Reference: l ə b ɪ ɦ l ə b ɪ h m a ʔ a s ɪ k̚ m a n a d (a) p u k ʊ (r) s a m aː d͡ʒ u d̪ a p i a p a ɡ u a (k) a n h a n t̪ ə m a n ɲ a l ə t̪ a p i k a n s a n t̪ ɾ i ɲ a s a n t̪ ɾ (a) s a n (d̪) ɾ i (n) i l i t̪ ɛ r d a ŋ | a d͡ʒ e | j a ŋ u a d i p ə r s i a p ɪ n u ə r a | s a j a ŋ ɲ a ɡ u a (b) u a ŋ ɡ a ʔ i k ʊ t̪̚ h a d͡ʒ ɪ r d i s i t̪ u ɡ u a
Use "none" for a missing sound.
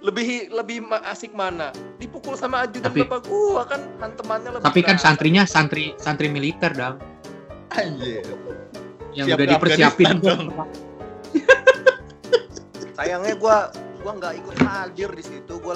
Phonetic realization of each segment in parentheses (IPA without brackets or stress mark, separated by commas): i, l, k, i, t̪, m, ɡ